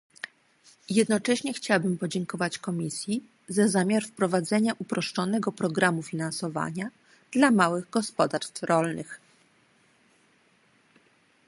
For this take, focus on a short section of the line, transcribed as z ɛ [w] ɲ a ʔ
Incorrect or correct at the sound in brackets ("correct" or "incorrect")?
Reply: incorrect